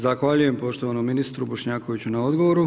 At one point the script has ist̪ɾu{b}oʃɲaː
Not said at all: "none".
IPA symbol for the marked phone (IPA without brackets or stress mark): b